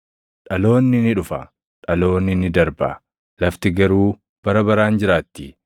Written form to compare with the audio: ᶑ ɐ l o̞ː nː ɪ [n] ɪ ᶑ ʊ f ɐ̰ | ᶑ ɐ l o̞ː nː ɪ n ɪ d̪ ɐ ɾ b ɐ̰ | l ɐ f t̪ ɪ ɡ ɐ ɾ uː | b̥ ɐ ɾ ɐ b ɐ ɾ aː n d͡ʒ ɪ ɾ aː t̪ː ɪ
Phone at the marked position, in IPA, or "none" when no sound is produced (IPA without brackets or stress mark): n